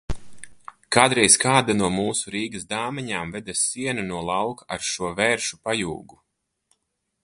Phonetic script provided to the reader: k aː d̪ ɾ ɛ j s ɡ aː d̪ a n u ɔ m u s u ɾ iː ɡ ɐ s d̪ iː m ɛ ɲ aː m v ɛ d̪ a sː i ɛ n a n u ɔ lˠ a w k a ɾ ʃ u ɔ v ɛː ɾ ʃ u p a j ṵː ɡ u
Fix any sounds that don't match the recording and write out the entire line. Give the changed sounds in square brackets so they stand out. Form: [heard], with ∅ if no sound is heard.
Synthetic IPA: k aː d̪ ɾ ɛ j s [k] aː d̪ a n u ɔ m [uː] s u ɾ iː ɡ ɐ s d̪ [aː] m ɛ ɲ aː m v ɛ d̪ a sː i ɛ n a n u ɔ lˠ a w k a ɾ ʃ u ɔ v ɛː ɾ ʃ u p a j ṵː ɡ u